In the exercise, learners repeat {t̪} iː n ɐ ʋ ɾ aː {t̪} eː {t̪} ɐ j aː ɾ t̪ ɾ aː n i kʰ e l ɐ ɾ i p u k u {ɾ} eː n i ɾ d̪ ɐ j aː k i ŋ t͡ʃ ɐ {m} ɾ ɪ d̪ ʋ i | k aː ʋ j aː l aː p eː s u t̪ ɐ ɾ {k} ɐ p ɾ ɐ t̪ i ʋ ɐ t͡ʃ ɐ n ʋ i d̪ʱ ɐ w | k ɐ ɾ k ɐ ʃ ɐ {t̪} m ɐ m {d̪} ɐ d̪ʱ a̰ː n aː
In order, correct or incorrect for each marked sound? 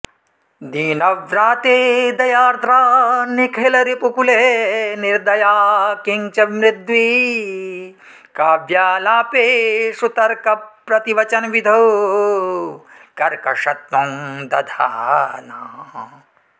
incorrect: d̪, correct, incorrect: d̪, incorrect: l, correct, correct, correct, correct

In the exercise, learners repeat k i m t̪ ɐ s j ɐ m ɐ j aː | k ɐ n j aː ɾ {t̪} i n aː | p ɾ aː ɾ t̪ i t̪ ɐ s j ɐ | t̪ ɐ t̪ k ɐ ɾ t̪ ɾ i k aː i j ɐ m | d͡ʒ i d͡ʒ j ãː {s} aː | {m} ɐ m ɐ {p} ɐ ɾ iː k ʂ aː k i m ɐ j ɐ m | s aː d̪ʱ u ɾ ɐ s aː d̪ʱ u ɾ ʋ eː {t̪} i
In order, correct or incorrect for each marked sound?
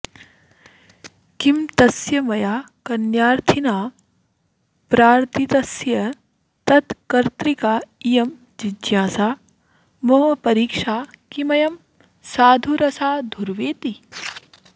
incorrect: t̪ʰ, correct, correct, correct, correct

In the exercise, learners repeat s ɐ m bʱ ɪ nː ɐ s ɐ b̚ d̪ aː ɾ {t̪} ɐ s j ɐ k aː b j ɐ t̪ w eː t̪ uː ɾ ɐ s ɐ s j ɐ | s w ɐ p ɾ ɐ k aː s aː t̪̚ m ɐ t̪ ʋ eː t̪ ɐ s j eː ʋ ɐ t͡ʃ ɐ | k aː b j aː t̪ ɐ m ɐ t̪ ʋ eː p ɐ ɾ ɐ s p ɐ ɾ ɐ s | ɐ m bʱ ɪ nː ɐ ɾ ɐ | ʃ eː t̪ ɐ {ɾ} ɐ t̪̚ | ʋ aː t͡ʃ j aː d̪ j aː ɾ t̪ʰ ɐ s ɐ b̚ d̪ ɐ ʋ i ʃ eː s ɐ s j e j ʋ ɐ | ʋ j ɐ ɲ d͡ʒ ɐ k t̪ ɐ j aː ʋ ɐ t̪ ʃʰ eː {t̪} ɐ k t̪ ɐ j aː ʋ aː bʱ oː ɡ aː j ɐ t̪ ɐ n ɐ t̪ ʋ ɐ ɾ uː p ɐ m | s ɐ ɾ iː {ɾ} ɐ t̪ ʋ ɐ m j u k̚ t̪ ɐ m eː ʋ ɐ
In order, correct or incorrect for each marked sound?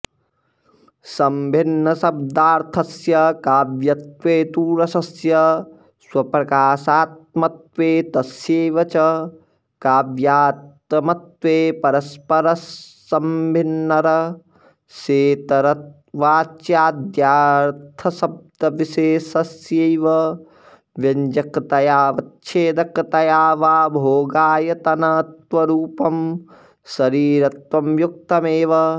incorrect: t̪ʰ, correct, incorrect: d̪, correct

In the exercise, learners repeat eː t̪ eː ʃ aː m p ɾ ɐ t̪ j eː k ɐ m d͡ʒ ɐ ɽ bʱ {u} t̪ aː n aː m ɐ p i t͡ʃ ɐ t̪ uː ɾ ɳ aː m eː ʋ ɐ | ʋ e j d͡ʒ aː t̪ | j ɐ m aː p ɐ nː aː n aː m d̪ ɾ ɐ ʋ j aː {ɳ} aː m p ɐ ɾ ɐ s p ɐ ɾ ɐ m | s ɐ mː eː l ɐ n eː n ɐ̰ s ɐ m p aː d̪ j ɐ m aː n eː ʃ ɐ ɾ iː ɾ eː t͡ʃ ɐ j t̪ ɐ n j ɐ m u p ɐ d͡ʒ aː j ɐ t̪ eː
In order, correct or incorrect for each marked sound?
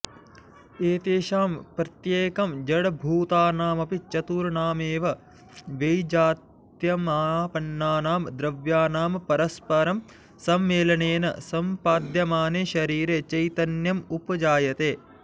incorrect: uː, incorrect: n

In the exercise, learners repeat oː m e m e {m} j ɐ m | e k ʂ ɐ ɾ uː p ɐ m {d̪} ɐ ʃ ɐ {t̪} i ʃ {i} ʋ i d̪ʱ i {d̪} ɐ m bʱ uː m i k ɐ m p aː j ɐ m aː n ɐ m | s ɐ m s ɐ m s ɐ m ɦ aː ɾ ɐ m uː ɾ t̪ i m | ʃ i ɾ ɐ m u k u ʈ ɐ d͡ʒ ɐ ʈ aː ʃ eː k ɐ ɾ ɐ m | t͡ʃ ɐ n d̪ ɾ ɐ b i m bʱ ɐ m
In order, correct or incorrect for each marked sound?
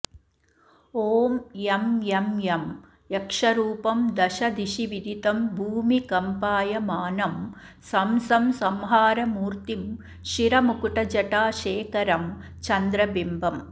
correct, correct, incorrect: d̪, correct, incorrect: t̪

